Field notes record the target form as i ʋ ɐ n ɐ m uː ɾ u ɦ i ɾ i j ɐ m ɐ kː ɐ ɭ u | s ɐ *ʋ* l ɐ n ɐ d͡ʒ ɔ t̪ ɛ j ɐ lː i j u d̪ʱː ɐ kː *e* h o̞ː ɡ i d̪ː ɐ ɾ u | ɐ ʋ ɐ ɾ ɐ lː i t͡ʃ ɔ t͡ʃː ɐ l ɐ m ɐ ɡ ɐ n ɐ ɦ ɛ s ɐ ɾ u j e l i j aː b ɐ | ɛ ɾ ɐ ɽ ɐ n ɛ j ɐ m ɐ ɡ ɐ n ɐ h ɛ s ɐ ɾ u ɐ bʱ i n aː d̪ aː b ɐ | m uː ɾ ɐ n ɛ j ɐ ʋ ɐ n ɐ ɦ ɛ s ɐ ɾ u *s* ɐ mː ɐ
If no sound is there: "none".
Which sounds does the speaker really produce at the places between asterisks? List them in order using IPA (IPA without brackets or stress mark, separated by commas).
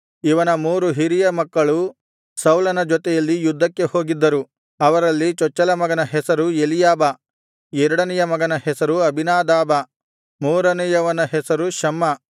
w, e, ʃ